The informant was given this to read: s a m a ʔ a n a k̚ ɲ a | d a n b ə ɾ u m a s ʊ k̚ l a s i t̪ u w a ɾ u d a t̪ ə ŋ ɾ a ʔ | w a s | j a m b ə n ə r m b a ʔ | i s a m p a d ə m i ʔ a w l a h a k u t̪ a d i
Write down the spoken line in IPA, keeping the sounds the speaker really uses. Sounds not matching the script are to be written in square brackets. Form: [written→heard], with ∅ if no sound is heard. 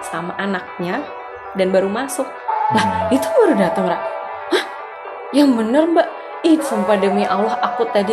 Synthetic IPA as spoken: s a m a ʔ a n a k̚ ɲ a | d a n b [ə→a] ɾ u m a s ʊ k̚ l a [s→h] i t̪ u [w→b] a ɾ u d a t̪ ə ŋ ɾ a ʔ | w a [s→h] | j a [m→ŋ] b ə n ə r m b a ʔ | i s a m p a d ə m i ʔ a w l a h a k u t̪ a d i